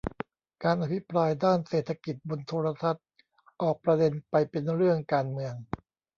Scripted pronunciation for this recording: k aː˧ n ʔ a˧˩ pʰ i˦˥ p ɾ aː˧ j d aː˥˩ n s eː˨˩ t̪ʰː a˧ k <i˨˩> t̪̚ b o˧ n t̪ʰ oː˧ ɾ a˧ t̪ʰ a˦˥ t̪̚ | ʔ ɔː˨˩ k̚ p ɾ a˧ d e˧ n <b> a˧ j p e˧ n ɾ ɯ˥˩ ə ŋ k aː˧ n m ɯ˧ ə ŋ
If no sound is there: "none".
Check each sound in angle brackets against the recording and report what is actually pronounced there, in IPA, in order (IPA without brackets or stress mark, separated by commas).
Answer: i˨˩, p